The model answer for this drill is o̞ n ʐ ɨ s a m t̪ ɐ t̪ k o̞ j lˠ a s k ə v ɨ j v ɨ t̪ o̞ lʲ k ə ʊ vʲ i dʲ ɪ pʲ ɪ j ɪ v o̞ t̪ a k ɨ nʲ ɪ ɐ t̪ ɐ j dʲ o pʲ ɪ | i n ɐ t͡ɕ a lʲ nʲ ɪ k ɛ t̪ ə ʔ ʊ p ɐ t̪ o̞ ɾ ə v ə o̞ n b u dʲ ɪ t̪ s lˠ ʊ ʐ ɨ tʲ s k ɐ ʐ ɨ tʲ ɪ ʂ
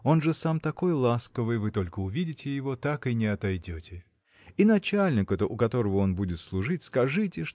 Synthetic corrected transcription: o̞ n ʐ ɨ s a m t̪ ɐ k o̞ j lˠ a s k ə v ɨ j v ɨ t̪ o̞ lʲ k ə ʊ vʲ i dʲ ɪ tʲ ɪ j ɪ v o̞ t̪ a k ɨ nʲ ɪ ɐ t̪ ɐ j dʲ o tʲ ɪ | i n ɐ t͡ɕ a lʲ nʲ ɪ k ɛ t̪ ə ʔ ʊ k ɐ t̪ o̞ ɾ ə v ə o̞ n b u dʲ ɪ t̪ s lˠ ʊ ʐ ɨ tʲ s k ɐ ʐ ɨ tʲ ɪ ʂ